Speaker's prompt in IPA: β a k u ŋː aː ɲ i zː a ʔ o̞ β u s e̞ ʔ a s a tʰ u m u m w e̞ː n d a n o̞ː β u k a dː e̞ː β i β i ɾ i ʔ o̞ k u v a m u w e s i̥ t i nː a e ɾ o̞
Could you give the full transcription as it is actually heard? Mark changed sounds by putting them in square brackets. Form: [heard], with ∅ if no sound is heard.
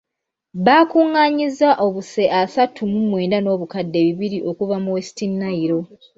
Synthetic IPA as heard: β a k u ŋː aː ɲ i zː a ʔ o̞ β u s e̞ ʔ a s a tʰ u m u m w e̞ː n d a n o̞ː β u k a dː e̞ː β i β i ɾ i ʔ o̞ k u v a m u w e s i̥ t i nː a [i] ɾ o̞